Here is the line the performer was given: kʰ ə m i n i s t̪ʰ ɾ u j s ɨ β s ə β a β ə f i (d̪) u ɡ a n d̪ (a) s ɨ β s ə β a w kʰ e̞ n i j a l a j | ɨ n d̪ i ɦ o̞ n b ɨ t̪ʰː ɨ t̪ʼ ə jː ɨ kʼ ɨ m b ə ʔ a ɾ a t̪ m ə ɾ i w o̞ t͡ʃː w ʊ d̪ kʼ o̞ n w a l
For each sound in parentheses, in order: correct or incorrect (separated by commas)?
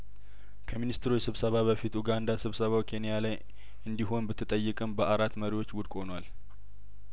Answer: incorrect, correct